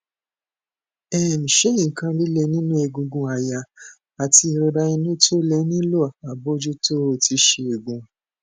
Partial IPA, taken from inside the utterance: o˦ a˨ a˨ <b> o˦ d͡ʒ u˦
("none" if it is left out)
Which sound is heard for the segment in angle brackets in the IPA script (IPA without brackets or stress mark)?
b